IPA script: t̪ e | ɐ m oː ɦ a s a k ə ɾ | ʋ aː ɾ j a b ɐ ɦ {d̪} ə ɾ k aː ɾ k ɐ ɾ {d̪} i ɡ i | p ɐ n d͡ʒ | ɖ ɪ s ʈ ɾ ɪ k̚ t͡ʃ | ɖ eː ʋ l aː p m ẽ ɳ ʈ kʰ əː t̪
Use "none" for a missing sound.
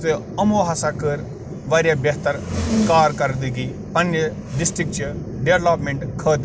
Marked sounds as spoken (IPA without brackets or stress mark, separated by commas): t̪, d̪